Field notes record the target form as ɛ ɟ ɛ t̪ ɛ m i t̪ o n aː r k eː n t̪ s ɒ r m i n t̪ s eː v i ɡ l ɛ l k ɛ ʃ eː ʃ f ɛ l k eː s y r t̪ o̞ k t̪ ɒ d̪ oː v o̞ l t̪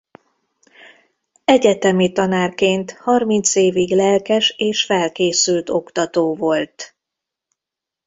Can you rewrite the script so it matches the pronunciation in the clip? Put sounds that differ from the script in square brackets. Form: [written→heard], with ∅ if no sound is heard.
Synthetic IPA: ɛ ɟ ɛ t̪ ɛ m i t̪ [o→ɒ] n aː r k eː n t̪ [s→h] ɒ r m i n t̪ s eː v i ɡ l ɛ l k ɛ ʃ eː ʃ f ɛ l k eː s y [r→l] t̪ o̞ k t̪ ɒ [d̪→t̪] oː v o̞ l t̪